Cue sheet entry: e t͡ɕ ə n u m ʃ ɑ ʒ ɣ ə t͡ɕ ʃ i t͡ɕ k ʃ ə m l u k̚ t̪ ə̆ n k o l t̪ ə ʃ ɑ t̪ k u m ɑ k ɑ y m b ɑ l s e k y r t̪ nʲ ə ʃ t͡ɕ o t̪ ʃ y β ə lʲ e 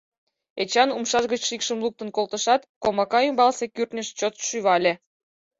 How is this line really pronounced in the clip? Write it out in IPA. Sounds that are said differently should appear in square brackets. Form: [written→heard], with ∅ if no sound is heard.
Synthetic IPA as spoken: e t͡ɕ [ə→ɑ] n u m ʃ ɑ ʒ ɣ ə t͡ɕ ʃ i [t͡ɕ→∅] k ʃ ə m l u k̚ t̪ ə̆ n k o l t̪ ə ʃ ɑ t̪ k [u→o] m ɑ k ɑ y m b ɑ l s e k y r t̪ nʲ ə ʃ t͡ɕ o t̪ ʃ y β [ə→ɑ] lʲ e